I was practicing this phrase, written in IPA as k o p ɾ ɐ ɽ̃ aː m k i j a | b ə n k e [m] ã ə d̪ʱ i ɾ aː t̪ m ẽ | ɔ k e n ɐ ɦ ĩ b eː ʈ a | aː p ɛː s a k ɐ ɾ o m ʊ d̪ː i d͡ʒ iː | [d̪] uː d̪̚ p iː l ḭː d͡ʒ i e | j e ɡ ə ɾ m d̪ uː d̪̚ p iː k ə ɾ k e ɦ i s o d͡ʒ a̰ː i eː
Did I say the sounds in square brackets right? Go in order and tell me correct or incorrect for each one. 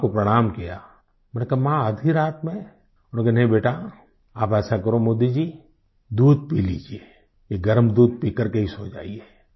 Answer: correct, correct

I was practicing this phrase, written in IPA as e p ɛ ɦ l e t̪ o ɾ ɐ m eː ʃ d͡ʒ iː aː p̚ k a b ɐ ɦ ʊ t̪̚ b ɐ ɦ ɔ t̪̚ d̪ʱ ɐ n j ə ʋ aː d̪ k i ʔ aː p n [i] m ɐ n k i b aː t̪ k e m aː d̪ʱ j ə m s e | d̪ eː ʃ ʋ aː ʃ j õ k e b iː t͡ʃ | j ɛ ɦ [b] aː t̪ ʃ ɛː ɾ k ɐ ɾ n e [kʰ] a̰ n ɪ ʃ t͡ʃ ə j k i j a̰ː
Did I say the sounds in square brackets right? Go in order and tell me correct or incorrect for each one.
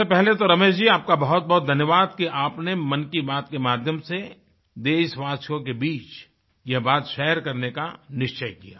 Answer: incorrect, correct, incorrect

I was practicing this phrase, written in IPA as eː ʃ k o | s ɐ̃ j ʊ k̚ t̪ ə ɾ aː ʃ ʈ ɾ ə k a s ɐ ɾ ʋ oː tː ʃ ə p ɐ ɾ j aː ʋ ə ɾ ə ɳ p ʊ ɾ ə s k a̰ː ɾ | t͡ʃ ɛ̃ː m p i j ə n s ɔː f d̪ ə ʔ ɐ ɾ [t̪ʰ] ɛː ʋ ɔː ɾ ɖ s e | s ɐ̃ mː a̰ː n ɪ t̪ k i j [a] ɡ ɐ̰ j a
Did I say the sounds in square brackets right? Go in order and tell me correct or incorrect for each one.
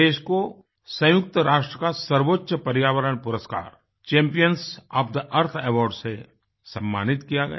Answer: correct, correct

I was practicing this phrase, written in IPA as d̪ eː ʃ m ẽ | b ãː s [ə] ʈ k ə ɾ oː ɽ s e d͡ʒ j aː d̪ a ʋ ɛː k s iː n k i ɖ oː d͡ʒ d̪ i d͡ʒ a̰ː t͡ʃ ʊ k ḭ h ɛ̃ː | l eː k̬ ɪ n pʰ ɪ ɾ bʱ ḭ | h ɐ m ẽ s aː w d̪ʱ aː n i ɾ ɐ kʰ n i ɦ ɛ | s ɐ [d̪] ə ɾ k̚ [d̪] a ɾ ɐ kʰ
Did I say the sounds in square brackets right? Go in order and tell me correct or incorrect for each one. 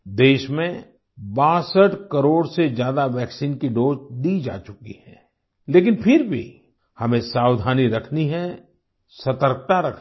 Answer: correct, incorrect, incorrect

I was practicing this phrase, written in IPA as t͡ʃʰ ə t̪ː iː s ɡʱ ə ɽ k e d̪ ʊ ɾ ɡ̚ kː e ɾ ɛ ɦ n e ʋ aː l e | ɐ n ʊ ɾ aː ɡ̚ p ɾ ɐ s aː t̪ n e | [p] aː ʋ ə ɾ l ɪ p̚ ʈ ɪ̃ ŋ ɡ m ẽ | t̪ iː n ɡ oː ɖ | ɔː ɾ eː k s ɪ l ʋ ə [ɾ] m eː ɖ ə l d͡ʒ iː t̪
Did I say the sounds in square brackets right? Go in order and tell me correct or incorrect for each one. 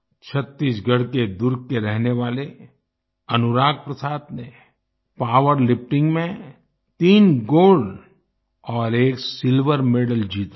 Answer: correct, correct

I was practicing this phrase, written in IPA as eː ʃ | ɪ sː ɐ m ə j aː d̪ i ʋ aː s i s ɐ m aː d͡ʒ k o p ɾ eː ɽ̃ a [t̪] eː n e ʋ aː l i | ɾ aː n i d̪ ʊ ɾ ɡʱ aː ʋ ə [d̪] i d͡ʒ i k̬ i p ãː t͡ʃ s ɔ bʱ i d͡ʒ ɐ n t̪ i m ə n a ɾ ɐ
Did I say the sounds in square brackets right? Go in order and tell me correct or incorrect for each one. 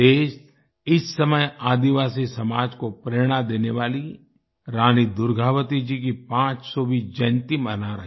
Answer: incorrect, incorrect

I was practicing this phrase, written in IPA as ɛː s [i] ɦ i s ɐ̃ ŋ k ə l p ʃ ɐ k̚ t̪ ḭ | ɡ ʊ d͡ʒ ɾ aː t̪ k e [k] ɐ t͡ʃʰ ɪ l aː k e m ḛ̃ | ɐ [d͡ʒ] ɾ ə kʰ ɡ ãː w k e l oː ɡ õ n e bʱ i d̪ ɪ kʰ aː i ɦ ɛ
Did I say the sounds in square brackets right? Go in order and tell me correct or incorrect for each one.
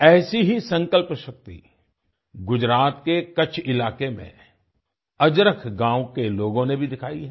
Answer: correct, correct, correct

